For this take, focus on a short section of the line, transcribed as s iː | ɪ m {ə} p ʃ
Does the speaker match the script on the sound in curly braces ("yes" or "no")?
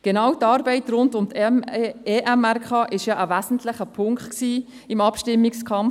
no